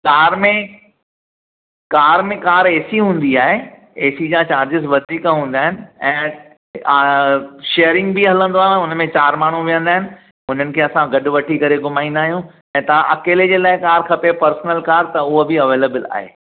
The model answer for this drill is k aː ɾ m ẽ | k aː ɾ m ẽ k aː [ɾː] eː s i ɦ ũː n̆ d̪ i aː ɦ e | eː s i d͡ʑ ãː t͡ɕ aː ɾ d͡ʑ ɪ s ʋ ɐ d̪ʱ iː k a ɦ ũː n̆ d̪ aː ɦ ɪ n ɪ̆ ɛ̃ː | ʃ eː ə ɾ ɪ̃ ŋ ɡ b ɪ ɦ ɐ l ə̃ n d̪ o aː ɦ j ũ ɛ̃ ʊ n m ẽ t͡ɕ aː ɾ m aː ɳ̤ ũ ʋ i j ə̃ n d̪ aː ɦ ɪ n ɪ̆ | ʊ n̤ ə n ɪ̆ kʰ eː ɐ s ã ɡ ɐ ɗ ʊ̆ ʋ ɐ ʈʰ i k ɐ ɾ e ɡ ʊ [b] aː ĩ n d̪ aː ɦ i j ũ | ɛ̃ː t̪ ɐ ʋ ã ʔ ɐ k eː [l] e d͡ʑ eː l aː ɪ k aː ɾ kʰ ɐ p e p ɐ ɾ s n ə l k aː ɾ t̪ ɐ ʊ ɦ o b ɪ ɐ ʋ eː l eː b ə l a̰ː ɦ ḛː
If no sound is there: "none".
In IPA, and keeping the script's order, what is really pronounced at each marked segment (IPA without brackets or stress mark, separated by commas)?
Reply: ɾ, m, l